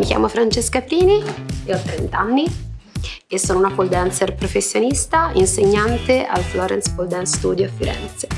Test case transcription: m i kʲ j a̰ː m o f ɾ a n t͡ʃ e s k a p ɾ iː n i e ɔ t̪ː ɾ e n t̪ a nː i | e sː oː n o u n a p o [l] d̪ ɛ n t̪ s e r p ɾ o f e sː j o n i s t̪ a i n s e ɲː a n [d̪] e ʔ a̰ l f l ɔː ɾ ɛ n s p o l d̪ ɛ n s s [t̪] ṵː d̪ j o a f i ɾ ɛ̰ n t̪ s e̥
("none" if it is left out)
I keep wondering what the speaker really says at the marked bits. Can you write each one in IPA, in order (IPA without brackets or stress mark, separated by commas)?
l, t̪, t̪